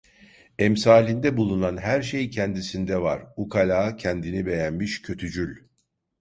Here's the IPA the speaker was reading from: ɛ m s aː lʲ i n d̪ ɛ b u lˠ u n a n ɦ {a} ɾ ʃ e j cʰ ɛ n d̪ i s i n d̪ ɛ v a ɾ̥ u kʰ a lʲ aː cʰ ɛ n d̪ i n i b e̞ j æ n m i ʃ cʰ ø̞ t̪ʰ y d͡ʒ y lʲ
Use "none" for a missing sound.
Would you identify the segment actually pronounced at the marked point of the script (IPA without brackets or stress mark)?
æ